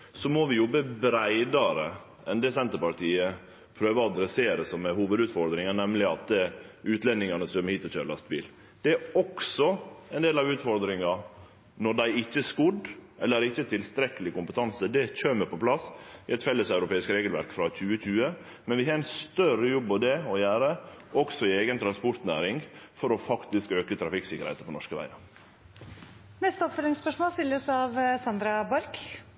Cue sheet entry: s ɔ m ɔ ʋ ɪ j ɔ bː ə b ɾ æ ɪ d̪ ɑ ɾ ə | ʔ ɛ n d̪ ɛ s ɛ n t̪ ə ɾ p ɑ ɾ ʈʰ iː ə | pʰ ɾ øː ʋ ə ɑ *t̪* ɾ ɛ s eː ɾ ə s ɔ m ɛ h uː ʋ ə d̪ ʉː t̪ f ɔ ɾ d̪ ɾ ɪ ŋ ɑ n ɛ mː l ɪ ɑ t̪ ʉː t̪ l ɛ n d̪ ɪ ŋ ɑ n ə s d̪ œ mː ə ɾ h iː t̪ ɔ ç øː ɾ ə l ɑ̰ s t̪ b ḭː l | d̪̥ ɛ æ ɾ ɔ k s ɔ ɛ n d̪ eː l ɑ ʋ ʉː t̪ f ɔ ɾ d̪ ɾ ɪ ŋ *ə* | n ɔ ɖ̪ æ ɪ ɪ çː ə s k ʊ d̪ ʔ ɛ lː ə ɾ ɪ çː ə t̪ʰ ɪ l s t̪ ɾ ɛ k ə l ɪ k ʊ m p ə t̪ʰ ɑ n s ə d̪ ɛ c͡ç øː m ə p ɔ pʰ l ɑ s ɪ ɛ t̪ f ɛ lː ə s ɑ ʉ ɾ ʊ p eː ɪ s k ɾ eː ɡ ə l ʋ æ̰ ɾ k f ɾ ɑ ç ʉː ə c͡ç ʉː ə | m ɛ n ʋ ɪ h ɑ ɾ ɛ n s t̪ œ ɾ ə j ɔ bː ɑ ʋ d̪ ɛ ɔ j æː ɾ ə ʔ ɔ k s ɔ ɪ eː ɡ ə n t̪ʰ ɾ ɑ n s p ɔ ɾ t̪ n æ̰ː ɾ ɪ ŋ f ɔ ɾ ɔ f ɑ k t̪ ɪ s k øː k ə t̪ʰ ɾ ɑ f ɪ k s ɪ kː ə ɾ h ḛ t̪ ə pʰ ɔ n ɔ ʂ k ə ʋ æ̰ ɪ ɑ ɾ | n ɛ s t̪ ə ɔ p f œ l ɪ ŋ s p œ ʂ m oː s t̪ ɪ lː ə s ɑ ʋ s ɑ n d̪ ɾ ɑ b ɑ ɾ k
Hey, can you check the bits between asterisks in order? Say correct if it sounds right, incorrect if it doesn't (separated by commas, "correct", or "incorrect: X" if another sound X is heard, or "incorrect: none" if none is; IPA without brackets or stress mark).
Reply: incorrect: d̪, incorrect: ɑ